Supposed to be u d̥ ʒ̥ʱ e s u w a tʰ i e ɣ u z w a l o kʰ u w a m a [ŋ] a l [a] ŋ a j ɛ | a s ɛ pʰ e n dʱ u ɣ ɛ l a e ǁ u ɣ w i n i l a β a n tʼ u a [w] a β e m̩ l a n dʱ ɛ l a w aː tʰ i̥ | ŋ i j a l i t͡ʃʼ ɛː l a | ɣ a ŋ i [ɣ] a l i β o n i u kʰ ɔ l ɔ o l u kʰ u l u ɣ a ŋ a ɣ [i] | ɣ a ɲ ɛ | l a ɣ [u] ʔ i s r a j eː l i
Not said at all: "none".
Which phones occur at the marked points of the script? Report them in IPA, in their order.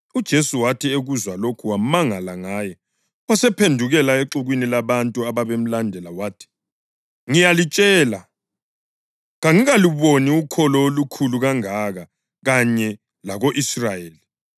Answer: ŋ, a, β, ɣ, a, o

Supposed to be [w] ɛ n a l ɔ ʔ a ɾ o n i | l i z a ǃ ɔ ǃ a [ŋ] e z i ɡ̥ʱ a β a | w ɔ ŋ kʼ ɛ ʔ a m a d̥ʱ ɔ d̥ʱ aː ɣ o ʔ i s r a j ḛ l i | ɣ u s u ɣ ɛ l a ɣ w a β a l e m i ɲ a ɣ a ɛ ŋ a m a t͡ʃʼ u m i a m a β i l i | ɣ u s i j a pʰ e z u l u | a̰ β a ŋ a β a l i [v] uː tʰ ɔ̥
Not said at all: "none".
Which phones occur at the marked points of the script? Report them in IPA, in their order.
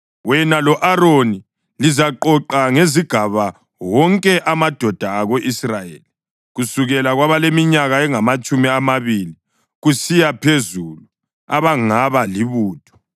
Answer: w, ŋ, β

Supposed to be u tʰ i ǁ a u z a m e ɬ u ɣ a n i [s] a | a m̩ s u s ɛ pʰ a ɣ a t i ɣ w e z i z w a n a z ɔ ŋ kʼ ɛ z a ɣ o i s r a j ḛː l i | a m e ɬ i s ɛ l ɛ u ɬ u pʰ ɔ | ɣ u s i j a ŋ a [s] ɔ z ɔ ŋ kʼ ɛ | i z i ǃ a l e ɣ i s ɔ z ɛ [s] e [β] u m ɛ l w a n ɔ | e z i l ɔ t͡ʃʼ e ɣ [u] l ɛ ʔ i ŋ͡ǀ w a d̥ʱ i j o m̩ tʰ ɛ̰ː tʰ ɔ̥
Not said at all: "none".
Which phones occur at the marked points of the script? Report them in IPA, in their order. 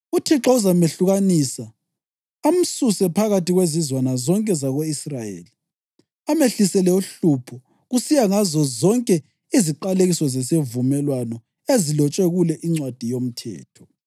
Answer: s, z, s, v, u

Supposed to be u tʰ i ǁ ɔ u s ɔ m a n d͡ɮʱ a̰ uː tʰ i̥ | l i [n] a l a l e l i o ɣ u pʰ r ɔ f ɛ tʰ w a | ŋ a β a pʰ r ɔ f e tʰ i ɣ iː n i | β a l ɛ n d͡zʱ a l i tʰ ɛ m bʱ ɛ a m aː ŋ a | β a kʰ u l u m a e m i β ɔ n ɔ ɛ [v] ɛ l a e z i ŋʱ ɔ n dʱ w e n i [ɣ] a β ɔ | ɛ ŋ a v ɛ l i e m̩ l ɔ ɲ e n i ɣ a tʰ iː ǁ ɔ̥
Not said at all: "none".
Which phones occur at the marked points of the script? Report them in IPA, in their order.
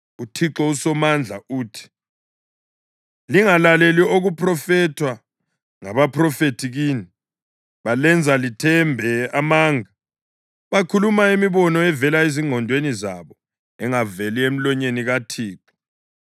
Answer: ŋ, v, z

